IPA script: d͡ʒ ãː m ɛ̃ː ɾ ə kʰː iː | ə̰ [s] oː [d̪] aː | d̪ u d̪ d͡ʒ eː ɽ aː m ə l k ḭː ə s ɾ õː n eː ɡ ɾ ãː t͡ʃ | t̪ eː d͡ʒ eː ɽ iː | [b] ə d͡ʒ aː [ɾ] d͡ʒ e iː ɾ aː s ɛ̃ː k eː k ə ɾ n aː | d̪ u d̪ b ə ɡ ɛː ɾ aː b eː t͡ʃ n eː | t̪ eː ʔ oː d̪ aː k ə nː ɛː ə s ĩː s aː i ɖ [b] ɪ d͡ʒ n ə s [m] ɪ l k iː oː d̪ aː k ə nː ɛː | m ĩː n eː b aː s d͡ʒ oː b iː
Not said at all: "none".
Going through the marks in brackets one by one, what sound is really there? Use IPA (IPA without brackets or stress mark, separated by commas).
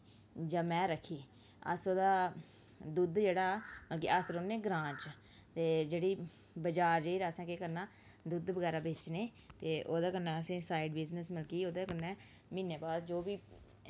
s, d̪, b, ɾ, b, m